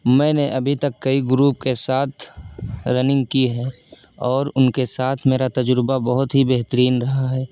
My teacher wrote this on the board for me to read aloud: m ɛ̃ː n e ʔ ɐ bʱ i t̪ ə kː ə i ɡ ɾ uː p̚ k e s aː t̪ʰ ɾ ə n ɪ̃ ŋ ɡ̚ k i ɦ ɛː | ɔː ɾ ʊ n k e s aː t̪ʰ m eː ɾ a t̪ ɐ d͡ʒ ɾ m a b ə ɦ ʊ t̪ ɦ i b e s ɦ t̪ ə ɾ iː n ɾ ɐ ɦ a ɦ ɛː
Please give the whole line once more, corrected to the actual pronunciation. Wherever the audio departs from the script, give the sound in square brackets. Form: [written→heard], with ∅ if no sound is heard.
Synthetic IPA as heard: m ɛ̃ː n e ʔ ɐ bʱ i t̪ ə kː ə i ɡ ɾ uː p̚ k e s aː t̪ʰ ɾ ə n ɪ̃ ŋ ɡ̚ k i ɦ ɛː | ɔː ɾ ʊ n k e s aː t̪ʰ m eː ɾ a t̪ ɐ d͡ʒ ɾ [m→b] a b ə ɦ ʊ t̪ ɦ i b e [s→∅] ɦ t̪ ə ɾ iː n ɾ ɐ ɦ a ɦ ɛː